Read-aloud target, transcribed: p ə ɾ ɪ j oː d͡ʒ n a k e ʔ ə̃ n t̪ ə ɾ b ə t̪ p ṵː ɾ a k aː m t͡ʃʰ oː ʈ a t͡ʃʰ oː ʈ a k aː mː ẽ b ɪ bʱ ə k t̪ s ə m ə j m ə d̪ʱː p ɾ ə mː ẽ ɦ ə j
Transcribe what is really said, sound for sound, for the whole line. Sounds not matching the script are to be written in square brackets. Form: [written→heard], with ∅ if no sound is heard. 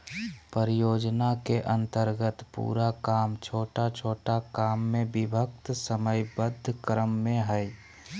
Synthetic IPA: p ə ɾ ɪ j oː d͡ʒ n a k e ʔ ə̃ n t̪ ə ɾ [b→ɡ] ə t̪ p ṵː ɾ a k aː m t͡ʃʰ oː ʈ a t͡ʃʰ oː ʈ a k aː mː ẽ b ɪ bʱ ə k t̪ s ə m ə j [m→b] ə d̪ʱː [p→k] ɾ ə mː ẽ ɦ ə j